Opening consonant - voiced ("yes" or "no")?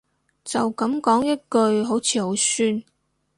no